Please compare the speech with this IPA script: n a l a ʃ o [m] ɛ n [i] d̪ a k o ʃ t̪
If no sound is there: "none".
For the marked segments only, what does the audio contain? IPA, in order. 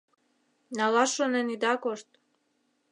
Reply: n, i

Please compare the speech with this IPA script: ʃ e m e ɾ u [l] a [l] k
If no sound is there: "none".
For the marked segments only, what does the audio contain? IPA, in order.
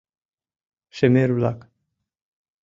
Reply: l, none

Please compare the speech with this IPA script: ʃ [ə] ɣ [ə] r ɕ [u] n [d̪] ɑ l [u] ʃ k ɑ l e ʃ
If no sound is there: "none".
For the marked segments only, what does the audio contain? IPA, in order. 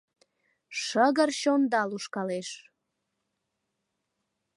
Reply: ə, ə, o, d̪, u

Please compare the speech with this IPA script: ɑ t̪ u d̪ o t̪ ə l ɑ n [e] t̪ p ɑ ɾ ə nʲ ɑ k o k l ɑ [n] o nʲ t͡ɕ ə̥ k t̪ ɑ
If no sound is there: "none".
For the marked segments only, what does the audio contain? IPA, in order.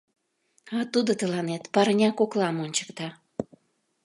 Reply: e, m

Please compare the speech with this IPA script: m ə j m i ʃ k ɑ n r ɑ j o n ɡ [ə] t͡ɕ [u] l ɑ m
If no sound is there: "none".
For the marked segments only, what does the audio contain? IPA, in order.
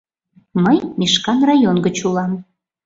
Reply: ə, u

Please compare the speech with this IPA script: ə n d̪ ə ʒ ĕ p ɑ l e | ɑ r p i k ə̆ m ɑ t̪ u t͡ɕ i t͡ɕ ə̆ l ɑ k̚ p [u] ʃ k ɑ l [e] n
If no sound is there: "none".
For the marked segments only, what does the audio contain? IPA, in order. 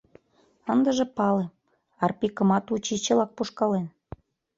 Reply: u, e

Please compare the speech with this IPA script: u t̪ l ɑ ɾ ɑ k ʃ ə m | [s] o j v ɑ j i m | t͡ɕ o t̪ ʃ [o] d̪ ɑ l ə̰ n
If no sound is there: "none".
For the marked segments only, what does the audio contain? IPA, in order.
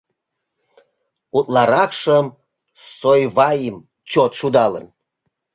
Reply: s, u

